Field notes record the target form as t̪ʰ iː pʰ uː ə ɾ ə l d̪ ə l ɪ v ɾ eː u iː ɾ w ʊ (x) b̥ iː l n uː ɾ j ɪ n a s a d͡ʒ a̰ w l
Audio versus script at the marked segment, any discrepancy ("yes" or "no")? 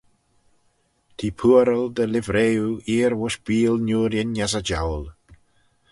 yes